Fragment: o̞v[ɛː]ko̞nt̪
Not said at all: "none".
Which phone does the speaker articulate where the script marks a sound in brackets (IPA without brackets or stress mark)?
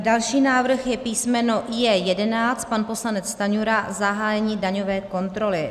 ɛː